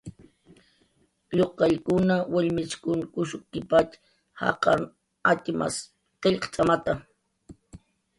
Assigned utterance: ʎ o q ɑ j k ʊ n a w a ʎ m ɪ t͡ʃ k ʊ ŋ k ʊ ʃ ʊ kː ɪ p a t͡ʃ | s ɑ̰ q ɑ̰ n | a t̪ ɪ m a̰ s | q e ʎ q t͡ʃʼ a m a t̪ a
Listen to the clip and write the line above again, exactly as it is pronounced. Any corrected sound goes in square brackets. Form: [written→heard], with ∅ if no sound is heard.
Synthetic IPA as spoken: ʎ o q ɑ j k ʊ n a w a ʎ m ɪ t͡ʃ k ʊ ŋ k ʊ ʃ ʊ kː ɪ p a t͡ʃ | [s→h] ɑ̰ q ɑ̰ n | a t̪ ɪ m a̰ s | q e ʎ q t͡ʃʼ a m a t̪ a

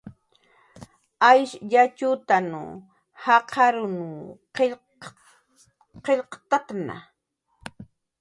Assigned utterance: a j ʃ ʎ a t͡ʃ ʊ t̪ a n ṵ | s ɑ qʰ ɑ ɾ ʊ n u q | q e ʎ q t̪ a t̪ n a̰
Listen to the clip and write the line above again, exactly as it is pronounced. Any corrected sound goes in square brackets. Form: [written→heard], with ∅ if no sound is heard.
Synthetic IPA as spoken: a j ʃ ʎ a t͡ʃ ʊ t̪ a n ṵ | [s→h] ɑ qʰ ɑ ɾ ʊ n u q | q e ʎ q t̪ a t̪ n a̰

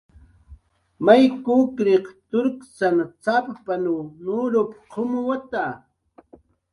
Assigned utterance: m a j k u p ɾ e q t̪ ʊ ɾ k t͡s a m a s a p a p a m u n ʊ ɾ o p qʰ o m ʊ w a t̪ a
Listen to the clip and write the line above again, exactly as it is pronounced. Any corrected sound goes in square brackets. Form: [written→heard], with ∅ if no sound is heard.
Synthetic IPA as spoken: m a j k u [p→k] ɾ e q t̪ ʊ ɾ k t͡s a [m→n] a [s→t͡s] a p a p a [m→n] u n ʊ ɾ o p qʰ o m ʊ w a t̪ a

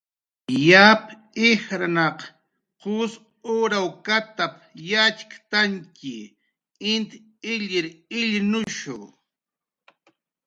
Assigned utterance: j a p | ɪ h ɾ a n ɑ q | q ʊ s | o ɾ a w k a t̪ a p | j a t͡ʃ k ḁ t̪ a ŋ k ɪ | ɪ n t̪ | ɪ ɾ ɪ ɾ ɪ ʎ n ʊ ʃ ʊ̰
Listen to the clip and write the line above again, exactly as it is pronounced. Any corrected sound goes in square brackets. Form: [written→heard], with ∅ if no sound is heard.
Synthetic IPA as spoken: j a p | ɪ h ɾ a n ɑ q | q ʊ s | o ɾ a w k a t̪ a p | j a t͡ʃ k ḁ t̪ a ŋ k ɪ | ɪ n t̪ | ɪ [ɾ→ʎ] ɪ ɾ ɪ ʎ n ʊ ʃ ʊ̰

